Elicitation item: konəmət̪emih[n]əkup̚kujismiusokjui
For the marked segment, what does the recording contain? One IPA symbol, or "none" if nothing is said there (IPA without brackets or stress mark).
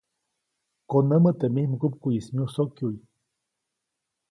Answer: m